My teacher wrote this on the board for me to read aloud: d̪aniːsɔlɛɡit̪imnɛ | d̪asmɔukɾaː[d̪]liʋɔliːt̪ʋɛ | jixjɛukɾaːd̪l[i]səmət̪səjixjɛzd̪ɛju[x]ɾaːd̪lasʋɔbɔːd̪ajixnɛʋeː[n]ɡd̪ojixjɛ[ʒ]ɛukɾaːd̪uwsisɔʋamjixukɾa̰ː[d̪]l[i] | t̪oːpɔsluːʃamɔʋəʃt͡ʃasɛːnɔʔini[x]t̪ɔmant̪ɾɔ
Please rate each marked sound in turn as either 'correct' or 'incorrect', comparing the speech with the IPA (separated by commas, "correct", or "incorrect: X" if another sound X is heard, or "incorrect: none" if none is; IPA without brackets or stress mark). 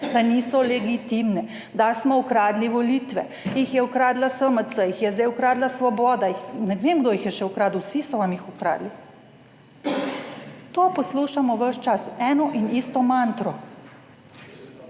correct, incorrect: a, incorrect: k, incorrect: m, incorrect: ʃ, correct, correct, incorrect: s